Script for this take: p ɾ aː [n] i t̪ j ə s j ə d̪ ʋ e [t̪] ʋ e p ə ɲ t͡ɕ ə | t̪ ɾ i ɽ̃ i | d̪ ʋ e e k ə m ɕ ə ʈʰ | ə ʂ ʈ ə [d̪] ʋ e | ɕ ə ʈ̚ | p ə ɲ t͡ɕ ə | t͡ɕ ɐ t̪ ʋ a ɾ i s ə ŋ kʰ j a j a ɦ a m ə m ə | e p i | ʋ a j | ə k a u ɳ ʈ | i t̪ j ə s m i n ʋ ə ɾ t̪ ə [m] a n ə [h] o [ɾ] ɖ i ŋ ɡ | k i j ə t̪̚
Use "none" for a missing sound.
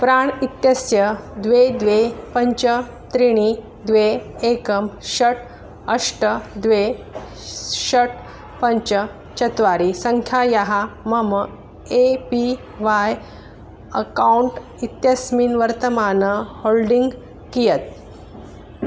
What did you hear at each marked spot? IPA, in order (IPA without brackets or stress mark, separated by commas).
ɳ, d̪, d̪, m, h, l